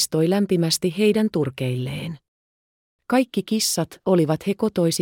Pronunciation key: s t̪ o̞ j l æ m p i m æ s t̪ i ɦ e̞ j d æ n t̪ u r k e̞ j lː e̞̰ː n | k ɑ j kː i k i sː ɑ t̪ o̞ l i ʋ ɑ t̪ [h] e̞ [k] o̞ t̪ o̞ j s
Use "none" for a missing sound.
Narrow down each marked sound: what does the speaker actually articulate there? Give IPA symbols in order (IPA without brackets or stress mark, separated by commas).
h, k